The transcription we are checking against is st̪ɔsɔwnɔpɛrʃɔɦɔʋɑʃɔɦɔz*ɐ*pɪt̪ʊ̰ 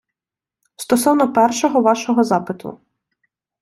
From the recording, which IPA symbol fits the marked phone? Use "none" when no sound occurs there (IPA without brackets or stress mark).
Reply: ɑ